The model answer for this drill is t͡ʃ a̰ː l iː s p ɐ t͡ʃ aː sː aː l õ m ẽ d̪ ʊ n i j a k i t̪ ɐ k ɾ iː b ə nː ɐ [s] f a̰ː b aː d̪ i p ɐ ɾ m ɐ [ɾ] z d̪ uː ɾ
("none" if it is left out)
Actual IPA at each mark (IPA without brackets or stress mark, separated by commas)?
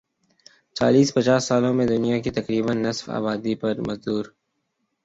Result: s, none